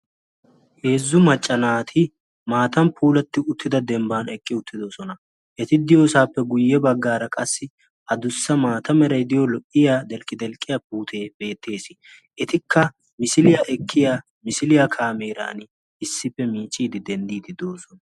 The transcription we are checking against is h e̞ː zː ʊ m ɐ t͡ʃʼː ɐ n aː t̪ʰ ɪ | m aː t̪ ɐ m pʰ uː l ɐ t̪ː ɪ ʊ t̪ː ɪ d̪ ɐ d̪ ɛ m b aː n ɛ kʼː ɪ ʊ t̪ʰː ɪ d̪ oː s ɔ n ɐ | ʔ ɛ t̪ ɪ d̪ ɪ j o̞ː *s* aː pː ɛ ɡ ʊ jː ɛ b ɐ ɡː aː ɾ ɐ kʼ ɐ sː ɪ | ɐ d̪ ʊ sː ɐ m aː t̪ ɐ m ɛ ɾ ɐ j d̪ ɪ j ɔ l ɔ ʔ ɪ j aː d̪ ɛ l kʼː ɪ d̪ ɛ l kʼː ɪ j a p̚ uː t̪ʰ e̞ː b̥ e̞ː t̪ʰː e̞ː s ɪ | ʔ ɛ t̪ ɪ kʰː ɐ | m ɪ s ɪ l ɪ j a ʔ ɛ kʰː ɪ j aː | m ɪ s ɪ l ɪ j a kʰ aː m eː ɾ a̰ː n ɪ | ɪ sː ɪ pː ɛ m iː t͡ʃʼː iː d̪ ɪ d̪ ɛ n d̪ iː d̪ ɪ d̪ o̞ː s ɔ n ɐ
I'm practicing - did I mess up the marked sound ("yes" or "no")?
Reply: no